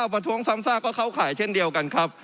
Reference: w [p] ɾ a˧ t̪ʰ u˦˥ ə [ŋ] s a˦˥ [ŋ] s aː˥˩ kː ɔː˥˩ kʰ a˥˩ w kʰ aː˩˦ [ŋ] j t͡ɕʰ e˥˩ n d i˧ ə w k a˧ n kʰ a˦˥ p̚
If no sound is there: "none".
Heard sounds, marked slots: p, ŋ, m, none

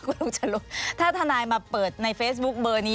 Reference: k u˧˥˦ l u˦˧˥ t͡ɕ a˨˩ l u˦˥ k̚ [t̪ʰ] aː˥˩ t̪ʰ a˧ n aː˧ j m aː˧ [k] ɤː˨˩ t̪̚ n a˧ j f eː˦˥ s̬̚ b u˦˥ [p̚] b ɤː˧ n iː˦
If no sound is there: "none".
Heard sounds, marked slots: t̪ʰ, p, k̚

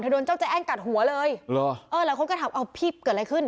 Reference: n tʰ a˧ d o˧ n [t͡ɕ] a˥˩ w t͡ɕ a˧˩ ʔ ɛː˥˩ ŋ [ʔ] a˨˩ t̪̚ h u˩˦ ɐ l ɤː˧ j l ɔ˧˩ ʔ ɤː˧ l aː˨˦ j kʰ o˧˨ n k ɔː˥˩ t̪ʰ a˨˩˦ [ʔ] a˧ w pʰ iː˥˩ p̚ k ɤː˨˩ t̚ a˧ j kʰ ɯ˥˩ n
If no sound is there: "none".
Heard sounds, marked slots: t͡ɕ, k, ʔ

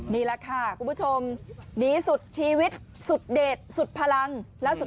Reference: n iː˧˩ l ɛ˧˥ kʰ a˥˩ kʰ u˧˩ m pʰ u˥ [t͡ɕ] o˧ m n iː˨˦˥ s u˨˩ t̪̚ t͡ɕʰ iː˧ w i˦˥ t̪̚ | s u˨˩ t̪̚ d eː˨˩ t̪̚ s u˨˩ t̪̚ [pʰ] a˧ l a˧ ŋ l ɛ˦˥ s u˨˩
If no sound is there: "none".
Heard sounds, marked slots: t͡ɕʰ, pʰ

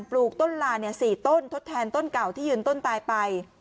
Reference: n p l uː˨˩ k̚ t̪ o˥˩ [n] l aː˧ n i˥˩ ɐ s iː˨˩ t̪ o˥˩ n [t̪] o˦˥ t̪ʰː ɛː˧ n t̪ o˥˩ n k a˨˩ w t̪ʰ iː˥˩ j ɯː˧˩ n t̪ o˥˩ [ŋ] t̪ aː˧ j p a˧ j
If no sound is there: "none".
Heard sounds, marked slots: n, t̪ʰ, n

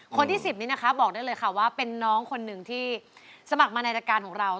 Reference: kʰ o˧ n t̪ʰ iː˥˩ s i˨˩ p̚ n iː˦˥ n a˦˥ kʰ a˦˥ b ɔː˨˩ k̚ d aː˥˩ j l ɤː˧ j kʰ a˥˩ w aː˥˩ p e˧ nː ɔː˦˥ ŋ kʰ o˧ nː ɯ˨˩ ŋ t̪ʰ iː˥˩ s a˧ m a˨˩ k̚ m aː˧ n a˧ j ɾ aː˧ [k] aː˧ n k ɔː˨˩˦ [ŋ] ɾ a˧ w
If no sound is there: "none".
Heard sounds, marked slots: k, ŋ

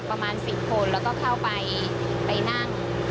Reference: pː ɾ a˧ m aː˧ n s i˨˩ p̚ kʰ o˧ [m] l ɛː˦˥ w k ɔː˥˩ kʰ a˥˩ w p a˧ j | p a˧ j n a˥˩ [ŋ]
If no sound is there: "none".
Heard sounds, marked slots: n, ŋ

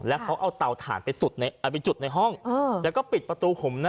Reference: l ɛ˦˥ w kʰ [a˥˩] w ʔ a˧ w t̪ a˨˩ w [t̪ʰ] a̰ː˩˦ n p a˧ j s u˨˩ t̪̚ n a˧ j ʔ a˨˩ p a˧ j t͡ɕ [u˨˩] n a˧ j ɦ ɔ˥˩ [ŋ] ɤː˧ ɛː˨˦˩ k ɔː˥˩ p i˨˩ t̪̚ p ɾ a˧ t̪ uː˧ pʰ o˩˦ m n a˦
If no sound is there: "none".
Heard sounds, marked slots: a˦˥, t̪ʰ, u˨˩, ŋ

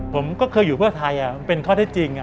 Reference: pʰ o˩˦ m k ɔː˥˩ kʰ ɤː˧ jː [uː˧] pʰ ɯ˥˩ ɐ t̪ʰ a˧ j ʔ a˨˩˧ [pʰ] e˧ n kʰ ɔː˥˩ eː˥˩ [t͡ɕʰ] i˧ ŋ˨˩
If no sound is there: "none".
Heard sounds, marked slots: uː˨˩, p, t͡ɕ

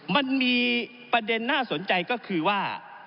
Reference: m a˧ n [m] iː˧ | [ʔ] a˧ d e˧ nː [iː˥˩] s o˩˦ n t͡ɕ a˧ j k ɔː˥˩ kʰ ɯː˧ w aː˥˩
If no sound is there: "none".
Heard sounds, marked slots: m, p, aː˥˩

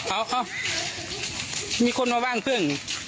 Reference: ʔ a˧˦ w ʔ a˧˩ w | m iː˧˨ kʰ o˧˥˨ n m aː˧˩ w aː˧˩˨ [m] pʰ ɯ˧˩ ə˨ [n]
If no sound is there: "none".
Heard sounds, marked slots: ŋ, ŋ

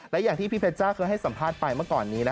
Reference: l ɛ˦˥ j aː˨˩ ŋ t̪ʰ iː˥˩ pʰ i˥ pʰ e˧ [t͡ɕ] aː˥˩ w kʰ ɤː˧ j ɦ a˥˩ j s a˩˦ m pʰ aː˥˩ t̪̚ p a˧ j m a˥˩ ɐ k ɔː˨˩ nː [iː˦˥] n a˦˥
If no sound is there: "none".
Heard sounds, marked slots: t͡ɕ, iː˦˥

